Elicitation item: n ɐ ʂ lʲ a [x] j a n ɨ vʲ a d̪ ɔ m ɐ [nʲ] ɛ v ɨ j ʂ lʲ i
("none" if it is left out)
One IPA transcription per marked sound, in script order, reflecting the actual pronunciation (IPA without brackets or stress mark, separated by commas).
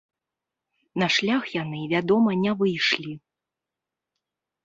x, nʲ